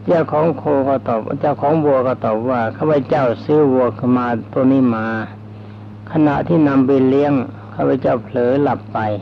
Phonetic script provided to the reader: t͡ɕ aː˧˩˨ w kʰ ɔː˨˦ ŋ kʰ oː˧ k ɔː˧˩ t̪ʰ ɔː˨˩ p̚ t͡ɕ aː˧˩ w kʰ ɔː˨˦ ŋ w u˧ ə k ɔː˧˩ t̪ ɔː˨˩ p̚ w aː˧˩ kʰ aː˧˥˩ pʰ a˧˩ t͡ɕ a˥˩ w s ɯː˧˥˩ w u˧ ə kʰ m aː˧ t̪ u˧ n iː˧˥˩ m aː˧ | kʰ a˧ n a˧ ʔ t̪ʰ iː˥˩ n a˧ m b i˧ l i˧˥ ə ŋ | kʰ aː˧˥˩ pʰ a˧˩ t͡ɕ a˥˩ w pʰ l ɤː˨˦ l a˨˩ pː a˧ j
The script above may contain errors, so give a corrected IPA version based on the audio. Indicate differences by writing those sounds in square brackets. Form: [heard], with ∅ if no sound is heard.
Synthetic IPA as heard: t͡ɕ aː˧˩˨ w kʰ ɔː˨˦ ŋ kʰ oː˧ k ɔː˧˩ [t̪] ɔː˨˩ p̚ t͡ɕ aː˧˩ w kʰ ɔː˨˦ ŋ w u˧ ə k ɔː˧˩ t̪ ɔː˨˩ p̚ w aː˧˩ kʰ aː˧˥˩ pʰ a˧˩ t͡ɕ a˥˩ w s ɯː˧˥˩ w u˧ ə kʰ m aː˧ t̪ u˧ n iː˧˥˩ m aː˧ | kʰ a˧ n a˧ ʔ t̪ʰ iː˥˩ n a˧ m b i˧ l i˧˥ ə ŋ | kʰ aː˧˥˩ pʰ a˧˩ t͡ɕ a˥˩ w pʰ l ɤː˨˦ l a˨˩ pː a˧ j